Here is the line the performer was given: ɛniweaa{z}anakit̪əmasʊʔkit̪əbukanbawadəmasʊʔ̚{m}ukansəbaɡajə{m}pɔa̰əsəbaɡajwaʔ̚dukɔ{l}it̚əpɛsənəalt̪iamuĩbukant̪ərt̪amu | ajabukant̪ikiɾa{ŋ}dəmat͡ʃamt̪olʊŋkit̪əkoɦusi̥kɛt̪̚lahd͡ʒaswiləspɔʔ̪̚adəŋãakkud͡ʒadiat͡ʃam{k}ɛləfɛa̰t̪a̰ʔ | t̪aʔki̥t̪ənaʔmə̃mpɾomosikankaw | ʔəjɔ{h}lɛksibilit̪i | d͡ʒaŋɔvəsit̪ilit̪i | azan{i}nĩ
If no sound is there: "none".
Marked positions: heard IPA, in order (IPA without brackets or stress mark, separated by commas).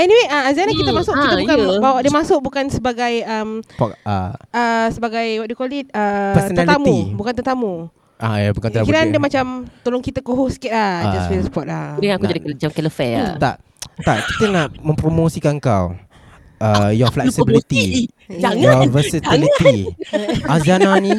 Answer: z, b, m, l, n, k, f, a